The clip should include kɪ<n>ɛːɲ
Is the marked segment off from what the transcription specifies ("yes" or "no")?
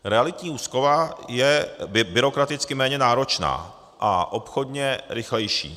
yes